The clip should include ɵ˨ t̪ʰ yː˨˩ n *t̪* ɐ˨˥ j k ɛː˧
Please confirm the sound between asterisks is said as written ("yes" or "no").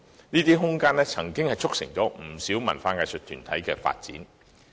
no